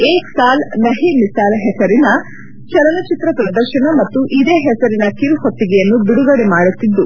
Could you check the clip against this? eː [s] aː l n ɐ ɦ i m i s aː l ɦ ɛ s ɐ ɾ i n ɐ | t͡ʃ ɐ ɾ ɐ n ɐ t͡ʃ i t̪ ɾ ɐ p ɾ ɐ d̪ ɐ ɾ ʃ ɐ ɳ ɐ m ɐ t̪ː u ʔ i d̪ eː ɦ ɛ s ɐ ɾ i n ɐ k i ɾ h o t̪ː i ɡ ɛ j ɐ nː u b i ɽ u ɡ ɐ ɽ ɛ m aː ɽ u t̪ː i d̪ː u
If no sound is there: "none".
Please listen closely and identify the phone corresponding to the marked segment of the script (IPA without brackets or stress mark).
s